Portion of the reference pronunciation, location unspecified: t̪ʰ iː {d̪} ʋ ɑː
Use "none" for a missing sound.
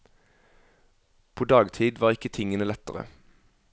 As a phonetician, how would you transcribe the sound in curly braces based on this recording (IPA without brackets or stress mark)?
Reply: d̪